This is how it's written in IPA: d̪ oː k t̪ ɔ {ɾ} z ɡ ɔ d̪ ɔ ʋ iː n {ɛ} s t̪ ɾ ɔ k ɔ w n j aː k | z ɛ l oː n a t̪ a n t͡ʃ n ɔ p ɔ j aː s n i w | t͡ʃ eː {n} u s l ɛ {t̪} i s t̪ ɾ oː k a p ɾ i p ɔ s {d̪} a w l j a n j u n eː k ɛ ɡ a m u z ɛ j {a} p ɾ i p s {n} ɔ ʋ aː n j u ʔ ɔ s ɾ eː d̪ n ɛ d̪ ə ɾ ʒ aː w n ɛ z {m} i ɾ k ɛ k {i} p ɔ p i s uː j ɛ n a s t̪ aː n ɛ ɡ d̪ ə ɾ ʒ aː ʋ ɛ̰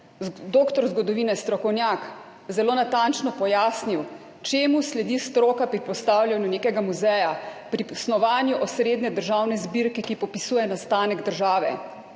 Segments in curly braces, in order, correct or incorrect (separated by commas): correct, correct, incorrect, incorrect, incorrect, correct, correct, incorrect, correct